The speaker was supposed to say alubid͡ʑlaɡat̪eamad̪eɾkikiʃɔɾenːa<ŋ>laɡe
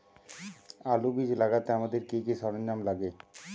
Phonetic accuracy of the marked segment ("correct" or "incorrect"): incorrect